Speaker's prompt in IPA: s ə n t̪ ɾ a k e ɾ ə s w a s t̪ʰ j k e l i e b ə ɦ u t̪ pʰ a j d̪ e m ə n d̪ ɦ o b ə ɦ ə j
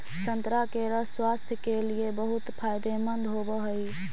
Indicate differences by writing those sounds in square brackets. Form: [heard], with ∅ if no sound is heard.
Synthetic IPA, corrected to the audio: s ə n t̪ ɾ a k e ɾ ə s w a s t̪ʰ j k e l i e b ə ɦ u t̪ pʰ a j d̪ e m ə n d̪ ɦ o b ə ɦ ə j